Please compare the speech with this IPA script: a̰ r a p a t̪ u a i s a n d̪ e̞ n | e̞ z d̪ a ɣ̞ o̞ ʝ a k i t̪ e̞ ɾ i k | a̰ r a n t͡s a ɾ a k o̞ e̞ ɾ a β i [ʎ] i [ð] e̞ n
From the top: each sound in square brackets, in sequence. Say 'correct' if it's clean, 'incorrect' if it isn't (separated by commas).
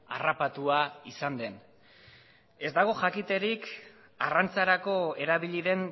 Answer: correct, correct